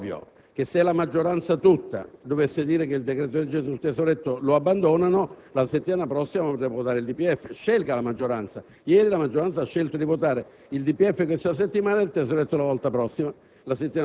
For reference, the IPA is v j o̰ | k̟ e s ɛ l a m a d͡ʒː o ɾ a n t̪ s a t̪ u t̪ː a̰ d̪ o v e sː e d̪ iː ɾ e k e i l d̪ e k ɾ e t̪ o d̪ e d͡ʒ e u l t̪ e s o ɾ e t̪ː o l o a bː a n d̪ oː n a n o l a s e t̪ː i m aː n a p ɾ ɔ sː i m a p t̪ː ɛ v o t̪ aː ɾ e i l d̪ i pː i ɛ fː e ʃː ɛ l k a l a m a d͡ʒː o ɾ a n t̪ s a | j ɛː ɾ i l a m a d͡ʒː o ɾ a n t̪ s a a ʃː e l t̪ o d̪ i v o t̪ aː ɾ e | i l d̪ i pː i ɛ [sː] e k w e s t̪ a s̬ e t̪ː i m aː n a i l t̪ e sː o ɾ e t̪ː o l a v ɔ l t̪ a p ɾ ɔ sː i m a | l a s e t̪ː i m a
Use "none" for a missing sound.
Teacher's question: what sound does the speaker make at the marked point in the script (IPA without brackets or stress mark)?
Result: fː